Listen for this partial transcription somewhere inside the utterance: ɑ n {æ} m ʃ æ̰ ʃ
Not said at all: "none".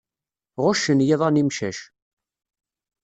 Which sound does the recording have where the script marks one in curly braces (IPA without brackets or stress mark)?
i